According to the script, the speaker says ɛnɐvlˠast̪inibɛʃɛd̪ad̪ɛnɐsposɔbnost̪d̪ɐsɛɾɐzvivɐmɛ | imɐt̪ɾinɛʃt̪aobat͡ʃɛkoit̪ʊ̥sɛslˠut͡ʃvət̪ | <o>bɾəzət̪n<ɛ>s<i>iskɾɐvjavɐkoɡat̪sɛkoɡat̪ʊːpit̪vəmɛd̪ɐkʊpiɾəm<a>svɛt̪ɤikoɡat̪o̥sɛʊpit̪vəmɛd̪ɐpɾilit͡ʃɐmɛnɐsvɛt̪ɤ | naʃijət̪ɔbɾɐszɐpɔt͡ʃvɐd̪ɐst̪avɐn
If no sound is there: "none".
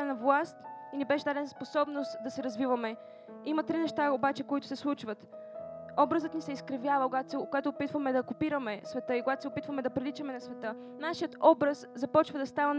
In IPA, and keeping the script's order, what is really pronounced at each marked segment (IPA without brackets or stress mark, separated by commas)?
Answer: ɔ, i, ɛ, ɛ